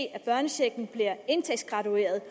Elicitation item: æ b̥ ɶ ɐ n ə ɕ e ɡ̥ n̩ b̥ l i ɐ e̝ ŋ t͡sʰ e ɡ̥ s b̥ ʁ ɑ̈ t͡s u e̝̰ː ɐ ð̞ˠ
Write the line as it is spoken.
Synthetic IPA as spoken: æ b̥ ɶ ɐ n ə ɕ e ɡ̥ n̩ b̥ l i ɐ e̝ n t͡sʰ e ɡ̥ s ɡ̥ ʁ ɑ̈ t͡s u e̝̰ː ɐ ð̞ˠ